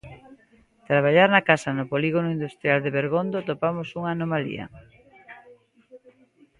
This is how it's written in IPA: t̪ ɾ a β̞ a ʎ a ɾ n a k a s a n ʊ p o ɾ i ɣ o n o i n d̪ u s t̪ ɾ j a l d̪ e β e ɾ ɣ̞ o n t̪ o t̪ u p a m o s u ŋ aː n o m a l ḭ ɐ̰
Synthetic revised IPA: t̪ ɾ a β̞ a ʎ a ɾ n a k a s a n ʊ p o l i ɣ o n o i n d̪ u s t̪ ɾ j a l d̪ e β e ɾ ɣ̞ o n d̪ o t̪ o p a m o s u ŋ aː n o m a l ḭ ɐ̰